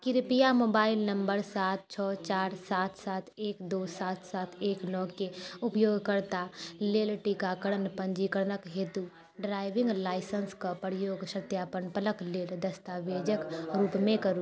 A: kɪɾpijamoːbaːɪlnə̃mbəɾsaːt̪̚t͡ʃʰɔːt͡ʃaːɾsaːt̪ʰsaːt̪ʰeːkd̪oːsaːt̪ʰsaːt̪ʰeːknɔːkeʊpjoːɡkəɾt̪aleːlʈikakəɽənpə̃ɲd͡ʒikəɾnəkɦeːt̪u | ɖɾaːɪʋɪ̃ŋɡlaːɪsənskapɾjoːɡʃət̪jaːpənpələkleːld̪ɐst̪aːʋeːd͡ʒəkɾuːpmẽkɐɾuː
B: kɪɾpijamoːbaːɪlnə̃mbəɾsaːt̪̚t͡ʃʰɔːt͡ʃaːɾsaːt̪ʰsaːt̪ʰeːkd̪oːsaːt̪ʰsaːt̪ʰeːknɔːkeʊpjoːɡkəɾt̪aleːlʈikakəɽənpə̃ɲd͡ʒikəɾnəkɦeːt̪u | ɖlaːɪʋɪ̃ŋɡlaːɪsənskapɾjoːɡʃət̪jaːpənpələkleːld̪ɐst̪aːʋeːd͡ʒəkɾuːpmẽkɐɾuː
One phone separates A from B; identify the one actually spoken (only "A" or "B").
A